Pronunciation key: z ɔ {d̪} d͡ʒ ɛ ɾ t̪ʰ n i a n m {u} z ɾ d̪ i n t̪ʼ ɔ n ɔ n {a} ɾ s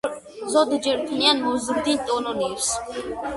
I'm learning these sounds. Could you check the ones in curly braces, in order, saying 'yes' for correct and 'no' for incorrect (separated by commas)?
yes, no, no